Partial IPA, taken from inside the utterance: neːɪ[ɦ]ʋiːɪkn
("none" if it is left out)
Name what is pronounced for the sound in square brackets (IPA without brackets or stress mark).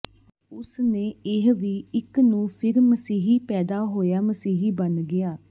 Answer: ɦ